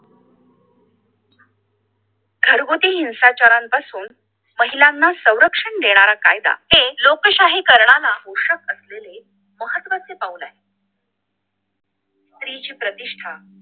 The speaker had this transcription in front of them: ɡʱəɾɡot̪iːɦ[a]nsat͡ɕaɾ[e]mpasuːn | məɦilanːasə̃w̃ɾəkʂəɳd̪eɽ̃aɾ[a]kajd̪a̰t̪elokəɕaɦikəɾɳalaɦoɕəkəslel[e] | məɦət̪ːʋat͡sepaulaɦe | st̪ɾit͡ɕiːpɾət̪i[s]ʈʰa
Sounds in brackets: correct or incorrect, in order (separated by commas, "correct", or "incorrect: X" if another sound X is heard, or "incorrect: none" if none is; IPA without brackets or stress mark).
incorrect: i, incorrect: a, correct, correct, incorrect: ʂ